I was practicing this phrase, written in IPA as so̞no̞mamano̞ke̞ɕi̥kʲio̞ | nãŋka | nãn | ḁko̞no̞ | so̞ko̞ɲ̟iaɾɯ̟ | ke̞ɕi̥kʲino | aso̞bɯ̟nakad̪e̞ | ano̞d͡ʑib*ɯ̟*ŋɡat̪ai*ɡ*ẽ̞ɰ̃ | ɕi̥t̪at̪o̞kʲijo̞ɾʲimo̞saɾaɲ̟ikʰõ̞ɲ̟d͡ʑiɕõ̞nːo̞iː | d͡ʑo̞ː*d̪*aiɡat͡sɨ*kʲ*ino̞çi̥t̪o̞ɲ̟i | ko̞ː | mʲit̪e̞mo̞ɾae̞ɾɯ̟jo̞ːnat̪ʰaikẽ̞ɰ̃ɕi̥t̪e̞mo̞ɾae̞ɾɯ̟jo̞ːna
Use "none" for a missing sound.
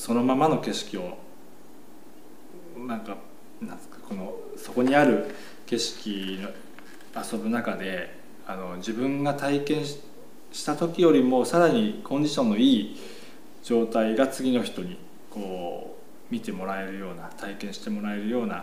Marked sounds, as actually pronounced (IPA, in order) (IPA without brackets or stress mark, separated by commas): ɯ̟̃, k, t̪, ɡʲ